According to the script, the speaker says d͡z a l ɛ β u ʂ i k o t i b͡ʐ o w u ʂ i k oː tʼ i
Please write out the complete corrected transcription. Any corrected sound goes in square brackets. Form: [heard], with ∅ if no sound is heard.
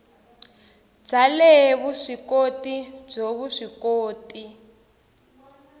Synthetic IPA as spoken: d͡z a l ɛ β u ʂ i k o t i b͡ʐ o [β] u ʂ i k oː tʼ i

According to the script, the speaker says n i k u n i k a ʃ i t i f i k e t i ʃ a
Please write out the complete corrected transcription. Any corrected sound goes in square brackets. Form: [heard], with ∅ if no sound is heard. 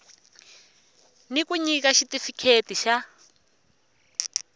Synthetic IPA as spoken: n i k u [ɲ] i k a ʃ i t i f i [kʰ] e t i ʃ a

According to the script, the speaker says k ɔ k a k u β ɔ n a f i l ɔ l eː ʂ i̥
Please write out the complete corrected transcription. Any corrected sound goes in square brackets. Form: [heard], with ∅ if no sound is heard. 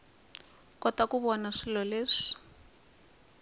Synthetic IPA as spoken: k ɔ [t] a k u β ɔ n a [ʂ] i l ɔ l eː ʂ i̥

